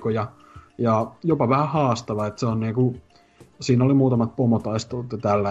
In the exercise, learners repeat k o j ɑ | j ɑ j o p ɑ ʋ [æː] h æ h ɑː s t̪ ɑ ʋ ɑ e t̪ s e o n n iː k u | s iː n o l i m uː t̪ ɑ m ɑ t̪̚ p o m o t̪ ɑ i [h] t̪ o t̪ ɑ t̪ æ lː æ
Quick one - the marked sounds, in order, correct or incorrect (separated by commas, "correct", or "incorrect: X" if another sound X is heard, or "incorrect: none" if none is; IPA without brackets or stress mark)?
incorrect: æ, incorrect: s